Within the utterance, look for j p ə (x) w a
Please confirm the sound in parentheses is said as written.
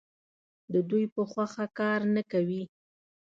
yes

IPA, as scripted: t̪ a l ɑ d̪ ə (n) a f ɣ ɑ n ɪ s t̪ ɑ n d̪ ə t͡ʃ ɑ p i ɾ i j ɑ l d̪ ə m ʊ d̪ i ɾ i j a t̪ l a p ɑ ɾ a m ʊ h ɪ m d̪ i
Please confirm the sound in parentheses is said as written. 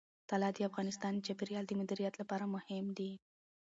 no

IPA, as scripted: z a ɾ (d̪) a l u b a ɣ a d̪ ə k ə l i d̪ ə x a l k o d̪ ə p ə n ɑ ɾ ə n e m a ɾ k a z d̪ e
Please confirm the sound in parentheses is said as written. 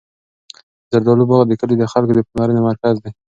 yes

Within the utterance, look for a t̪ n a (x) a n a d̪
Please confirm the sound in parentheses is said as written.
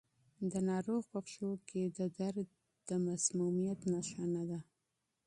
no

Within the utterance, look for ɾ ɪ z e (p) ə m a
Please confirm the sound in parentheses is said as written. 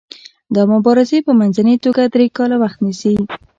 yes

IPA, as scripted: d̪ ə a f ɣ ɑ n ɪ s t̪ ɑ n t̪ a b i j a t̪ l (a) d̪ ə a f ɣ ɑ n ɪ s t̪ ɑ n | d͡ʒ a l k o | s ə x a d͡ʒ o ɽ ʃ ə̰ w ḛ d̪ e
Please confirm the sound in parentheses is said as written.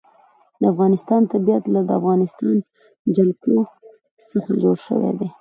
yes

